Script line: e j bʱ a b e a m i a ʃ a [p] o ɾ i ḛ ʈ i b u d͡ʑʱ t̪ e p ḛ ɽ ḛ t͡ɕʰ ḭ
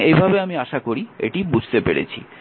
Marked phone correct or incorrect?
incorrect